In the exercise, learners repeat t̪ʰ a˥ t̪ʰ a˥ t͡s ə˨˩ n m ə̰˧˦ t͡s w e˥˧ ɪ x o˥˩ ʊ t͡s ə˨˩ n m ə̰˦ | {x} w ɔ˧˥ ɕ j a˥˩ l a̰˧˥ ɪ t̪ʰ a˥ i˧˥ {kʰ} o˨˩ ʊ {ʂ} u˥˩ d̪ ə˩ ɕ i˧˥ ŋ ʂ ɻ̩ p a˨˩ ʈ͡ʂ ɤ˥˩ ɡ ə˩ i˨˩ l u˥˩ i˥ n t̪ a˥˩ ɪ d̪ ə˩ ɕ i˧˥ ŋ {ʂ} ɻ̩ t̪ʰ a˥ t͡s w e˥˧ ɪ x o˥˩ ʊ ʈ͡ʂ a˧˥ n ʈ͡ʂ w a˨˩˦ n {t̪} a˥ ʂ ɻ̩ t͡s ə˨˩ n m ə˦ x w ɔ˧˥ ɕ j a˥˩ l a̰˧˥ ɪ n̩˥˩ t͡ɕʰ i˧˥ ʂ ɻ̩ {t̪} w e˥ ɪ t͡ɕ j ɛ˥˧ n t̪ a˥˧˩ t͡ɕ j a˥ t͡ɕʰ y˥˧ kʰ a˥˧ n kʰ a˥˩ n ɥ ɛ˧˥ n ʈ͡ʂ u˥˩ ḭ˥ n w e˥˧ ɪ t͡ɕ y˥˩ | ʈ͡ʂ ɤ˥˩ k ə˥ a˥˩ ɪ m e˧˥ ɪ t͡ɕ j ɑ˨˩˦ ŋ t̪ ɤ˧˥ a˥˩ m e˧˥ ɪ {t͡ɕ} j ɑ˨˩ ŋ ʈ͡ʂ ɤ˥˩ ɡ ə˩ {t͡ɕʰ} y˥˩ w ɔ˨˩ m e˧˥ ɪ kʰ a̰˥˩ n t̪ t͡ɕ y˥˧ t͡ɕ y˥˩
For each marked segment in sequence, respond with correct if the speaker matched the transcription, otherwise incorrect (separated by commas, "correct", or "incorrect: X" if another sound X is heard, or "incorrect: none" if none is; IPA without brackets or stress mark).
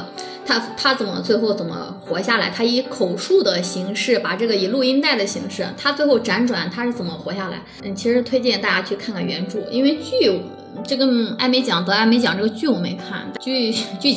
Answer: correct, correct, correct, correct, incorrect: t̪ʰ, incorrect: t̪ʰ, correct, incorrect: t͡ɕ